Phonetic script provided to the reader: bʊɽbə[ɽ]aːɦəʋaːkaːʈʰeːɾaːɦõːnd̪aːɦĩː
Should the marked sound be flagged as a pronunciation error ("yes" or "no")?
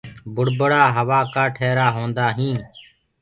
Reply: no